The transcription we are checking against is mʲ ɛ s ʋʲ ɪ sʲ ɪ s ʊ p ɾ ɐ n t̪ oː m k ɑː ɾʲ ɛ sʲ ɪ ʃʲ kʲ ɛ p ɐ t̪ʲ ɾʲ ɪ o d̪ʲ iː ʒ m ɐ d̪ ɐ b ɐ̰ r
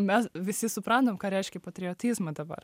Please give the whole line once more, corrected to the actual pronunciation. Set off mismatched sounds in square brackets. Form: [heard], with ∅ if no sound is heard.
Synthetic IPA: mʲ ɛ s ʋʲ ɪ sʲ ɪ s ʊ p ɾ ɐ n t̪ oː m k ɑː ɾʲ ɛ [∅] ɪ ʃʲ kʲ ɛ p ɐ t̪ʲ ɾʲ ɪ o [t̪ʲ] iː [z] m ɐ d̪ ɐ b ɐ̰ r